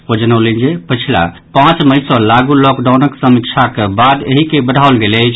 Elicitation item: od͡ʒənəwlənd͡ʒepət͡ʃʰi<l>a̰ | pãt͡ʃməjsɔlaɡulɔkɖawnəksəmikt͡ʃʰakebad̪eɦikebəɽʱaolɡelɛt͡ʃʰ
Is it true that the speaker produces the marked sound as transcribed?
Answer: yes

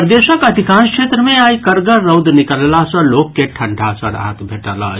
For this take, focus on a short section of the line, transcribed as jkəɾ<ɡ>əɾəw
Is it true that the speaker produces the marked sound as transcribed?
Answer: yes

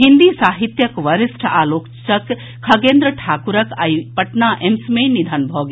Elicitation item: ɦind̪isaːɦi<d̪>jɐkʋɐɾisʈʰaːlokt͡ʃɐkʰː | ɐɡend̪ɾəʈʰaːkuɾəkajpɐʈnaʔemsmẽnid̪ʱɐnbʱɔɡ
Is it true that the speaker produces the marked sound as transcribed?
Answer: no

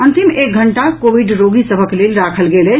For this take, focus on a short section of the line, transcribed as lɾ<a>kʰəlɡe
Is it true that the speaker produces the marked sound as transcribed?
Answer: yes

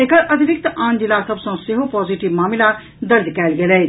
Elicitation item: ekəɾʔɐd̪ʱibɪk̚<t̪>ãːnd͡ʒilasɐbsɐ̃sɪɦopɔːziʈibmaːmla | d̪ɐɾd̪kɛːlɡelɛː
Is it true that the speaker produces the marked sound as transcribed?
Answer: yes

